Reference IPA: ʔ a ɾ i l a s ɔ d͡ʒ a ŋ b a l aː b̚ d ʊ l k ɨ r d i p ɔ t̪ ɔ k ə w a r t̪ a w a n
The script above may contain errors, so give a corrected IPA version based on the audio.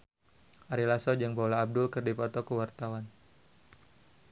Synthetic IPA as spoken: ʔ a ɾ i l a s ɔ d͡ʒ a ŋ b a l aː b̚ d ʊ l k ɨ r d i p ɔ t̪ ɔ k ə w a r t̪ a w a n